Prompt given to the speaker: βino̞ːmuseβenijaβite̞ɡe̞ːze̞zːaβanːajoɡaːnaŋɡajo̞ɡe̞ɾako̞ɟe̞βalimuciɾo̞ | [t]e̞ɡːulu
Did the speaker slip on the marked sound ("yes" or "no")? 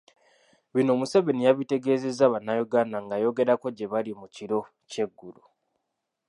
yes